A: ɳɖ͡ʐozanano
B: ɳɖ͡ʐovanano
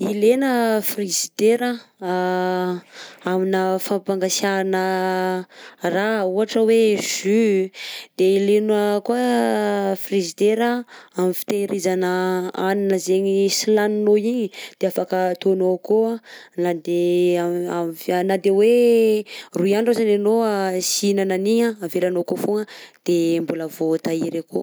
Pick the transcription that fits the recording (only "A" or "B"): A